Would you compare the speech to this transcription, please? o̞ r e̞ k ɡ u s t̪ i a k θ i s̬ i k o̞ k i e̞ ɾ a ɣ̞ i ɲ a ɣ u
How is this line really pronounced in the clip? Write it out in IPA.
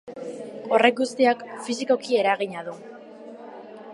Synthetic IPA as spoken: o̞ r e̞ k ɡ u s t̪ i a k f i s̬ i k o̞ k i e̞ ɾ a ɣ̞ i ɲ a ð u

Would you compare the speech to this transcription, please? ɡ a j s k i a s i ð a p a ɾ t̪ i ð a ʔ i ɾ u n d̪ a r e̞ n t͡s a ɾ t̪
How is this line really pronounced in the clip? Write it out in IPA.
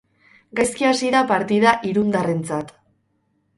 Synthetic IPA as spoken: ɡ a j s k i a s i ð a p a ɾ t̪ i ð a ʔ i ɾ u n d̪ a r e̞ n t͡s a t̪

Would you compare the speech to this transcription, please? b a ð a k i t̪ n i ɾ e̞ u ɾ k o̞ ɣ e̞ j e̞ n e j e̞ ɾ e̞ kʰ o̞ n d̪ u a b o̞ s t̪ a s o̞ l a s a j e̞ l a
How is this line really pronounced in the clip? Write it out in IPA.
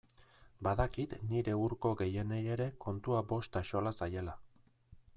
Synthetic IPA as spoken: b a ð a k i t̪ n i ɾ e̞ u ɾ k o̞ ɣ e̞ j e̞ n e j e̞ ɾ e̞ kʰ o̞ n t̪ u a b o̞ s t̪ a ʃ o̞ l a s a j e̞ l a

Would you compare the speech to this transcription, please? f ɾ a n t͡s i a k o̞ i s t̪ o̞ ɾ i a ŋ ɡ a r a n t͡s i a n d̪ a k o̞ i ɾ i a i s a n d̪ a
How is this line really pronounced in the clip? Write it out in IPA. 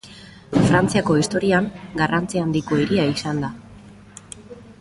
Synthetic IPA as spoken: f ɾ a n t͡s i a k o̞ i s t̪ o̞ ɾ i a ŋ ɡ a r a n t͡s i a n d̪ i k o̞ i ɾ i a i s a n d̪ a

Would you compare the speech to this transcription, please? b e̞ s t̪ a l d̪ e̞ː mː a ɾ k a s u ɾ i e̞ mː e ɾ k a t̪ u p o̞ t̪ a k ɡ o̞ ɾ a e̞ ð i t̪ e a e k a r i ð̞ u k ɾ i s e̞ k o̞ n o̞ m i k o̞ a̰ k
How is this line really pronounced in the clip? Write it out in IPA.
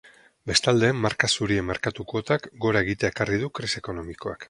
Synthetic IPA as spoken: b e̞ s t̪ a l d̪ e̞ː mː a ɾ k a s u ɾ i e̞ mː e ɾ k a t̪ u k o̞ t̪ a k ɡ o̞ ɾ a e̞ ɣ i t̪ e a e k a r i ð̞ u k ɾ i s e̞ k o̞ n o̞ m i k o̞ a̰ k

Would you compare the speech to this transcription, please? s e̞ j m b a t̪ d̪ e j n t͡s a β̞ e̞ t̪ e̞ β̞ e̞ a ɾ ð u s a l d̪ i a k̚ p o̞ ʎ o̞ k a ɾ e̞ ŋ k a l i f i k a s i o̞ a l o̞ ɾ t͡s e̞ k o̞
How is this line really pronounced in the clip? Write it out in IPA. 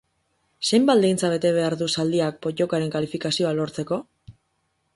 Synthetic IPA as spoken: s e̞ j m b a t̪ d̪ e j n t͡s a β̞ e̞ t̪ e̞ β̞ e̞ a ɾ ð u s a l d̪ i a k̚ p o̞ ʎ o̞ k a ɾ e̞ ŋ k a l i f i k a s i o̞ a l o̞ ɾ t͡s e̞ k o̞

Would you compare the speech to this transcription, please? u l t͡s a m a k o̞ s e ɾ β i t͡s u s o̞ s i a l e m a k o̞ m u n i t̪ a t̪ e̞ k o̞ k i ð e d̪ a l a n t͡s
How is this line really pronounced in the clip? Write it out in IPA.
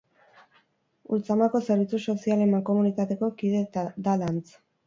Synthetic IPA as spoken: u l t͡s a m a k o̞ s e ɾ β i t͡s u s o̞ s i a l e m a k o̞ m u n i t̪ a t̪ e̞ k o̞ k i ð e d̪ a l a n t͡s

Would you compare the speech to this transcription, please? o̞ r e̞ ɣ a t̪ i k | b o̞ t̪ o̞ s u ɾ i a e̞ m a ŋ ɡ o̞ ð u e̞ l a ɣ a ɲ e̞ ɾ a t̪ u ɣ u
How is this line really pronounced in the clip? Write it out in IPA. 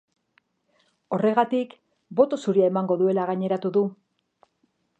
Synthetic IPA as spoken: o̞ r e̞ ɣ a t̪ i k | b o̞ t̪ o̞ s u ɾ i a e̞ m a ŋ ɡ o̞ ð u e̞ l a ɣ a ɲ e̞ ɾ a t̪ u ð u

